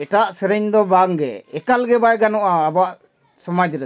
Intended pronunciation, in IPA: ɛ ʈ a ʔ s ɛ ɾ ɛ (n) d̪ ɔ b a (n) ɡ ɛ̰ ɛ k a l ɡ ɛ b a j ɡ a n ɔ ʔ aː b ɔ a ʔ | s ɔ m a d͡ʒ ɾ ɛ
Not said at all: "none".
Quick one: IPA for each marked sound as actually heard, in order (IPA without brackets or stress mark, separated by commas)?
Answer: ɲ, ŋ